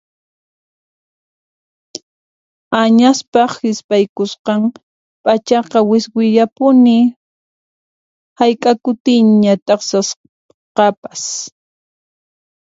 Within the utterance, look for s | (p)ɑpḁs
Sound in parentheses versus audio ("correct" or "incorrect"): incorrect